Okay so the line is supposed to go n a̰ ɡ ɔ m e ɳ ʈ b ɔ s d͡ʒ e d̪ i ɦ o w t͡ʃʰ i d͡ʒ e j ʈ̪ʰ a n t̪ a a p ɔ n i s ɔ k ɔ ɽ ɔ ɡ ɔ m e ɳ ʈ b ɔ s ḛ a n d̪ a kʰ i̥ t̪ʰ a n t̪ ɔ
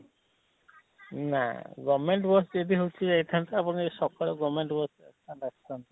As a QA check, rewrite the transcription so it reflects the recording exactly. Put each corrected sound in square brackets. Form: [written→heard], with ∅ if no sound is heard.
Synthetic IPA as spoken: n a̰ ɡ ɔ m e ɳ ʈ b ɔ s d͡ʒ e d̪ i ɦ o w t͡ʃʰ i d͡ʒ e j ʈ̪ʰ a n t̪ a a p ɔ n i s ɔ k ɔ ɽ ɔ ɡ ɔ m e ɳ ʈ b ɔ s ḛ a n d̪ a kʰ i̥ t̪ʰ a n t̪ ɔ